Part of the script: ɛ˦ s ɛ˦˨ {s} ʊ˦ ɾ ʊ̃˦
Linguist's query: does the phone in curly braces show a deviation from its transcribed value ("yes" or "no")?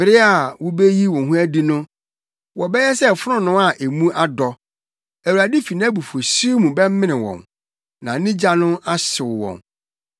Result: yes